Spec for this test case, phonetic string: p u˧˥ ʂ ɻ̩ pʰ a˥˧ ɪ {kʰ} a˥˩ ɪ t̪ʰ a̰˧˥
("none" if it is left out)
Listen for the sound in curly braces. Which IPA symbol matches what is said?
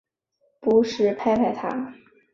pʰ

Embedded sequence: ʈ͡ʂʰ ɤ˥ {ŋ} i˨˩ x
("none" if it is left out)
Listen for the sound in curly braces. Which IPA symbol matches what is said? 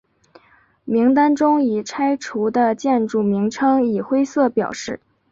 ŋ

